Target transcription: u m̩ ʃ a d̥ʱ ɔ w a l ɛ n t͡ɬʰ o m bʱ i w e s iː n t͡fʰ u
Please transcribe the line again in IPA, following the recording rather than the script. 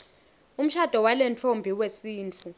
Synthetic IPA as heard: u m̩ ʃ a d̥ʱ ɔ w a l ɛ n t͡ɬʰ o m bʱ i w e s iː n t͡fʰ u